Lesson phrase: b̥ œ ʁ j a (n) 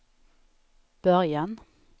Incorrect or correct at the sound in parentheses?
correct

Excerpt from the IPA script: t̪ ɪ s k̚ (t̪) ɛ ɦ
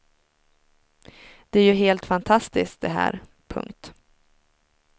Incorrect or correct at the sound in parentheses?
incorrect: d̪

